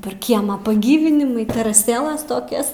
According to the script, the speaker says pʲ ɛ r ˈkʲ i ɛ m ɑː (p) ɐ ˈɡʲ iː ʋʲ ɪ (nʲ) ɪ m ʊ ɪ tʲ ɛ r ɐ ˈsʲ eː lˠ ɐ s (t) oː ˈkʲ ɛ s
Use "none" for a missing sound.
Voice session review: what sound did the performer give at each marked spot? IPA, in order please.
p, nʲ, t

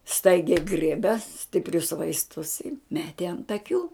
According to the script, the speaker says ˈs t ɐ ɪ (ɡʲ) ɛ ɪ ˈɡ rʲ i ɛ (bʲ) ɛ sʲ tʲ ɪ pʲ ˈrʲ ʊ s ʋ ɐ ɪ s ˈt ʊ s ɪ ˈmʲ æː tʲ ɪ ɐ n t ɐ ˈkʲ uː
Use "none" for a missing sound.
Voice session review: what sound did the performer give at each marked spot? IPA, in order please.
ɡʲ, bʲ

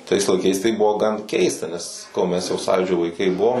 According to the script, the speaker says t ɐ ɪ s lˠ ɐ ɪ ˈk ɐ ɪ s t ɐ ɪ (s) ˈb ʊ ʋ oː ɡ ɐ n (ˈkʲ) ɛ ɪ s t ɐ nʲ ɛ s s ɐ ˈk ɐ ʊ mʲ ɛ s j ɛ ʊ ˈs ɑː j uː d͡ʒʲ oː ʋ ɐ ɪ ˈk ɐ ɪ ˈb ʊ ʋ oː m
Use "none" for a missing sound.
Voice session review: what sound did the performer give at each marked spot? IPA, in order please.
none, kʲ

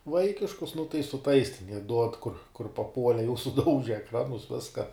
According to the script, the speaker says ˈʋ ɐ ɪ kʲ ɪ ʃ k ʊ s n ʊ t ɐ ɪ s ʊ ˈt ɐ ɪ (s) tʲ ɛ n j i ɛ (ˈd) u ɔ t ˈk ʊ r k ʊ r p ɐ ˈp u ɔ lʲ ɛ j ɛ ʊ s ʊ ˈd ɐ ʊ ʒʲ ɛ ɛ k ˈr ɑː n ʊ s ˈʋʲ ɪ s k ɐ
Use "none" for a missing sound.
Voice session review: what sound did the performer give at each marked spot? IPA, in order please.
s, d

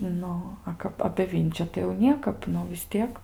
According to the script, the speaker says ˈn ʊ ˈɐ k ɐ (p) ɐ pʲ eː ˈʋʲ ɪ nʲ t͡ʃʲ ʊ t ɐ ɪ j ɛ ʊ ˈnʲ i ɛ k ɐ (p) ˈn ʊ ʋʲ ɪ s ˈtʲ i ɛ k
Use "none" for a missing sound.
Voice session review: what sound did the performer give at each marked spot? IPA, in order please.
p, p

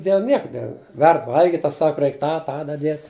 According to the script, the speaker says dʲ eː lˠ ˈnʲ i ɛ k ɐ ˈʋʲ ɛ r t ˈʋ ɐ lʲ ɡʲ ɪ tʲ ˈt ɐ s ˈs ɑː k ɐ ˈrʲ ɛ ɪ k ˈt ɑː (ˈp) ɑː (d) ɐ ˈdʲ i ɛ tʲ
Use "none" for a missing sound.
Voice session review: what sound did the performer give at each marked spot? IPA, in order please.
t, d

